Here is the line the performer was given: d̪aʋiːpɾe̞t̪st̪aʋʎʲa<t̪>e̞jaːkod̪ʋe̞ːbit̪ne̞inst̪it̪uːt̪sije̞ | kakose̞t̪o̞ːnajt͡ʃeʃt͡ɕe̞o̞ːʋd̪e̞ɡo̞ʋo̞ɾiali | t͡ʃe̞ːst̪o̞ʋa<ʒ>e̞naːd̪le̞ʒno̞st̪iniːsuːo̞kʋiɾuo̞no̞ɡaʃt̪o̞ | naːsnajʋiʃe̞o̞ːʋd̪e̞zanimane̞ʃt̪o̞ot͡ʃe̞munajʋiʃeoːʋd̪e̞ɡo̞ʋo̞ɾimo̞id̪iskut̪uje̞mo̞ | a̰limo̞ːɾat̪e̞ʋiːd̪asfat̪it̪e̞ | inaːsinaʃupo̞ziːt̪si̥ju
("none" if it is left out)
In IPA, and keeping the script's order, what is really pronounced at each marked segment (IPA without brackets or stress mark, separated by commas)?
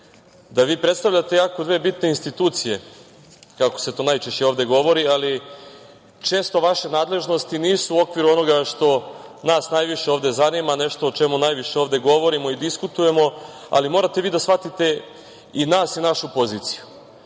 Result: t̪, ʃ